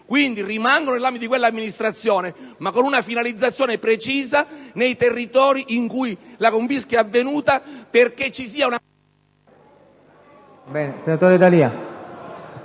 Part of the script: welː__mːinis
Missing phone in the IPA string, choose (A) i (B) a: B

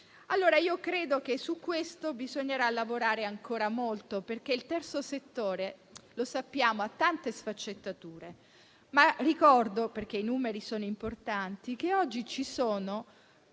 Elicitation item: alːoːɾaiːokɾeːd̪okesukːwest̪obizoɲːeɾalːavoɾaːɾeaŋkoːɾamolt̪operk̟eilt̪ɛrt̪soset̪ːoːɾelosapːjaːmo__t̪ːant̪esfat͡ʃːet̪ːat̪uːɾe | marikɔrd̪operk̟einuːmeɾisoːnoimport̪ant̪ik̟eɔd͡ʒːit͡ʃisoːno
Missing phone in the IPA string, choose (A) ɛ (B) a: B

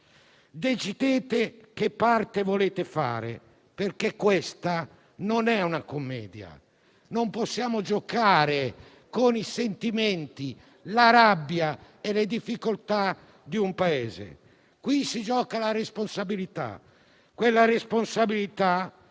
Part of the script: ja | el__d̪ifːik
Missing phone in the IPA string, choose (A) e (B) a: A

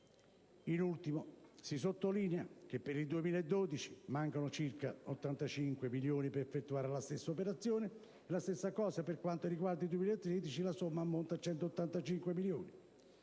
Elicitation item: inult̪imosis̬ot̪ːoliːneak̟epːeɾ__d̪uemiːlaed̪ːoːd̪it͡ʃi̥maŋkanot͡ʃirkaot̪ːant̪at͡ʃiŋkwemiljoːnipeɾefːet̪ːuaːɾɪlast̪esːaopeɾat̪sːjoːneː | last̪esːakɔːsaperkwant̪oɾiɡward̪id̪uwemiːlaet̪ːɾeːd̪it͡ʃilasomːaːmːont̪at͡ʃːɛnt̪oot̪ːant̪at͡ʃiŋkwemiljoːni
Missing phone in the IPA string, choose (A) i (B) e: A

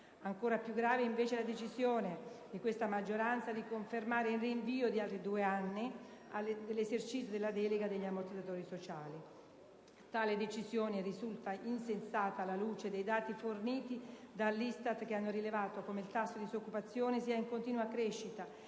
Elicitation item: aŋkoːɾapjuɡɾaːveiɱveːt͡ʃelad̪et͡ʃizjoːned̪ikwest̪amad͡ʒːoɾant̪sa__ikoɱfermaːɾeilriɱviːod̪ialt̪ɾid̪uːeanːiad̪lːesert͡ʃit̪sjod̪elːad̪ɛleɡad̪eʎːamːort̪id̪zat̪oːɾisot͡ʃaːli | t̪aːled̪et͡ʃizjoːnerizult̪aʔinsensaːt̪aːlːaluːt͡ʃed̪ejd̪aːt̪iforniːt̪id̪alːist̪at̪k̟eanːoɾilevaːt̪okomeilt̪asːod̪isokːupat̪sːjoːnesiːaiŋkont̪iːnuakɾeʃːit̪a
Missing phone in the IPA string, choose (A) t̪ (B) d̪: B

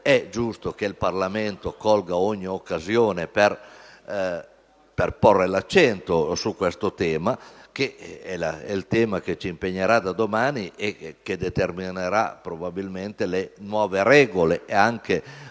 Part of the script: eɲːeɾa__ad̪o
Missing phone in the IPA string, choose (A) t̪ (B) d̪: B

